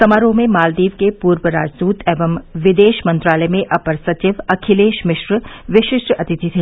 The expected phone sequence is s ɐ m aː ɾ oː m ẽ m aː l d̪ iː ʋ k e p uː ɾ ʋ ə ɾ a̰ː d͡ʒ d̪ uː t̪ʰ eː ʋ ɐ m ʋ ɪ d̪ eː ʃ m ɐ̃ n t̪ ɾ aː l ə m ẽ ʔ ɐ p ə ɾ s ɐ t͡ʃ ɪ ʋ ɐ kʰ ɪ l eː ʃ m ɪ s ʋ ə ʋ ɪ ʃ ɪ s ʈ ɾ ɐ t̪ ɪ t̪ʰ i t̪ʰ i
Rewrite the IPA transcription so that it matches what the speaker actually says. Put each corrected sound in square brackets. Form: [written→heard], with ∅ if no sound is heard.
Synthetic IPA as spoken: s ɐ m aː ɾ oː m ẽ m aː l d̪ iː ʋ k e p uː ɾ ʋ ə ɾ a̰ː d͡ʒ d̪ uː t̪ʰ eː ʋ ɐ m ʋ ɪ d̪ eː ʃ m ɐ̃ n t̪ ɾ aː l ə m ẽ ʔ ɐ p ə ɾ s ɐ t͡ʃ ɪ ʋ ɐ kʰ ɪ l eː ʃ m ɪ [s→ʃ] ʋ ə ʋ ɪ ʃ ɪ [s→ʃ] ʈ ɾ ɐ t̪ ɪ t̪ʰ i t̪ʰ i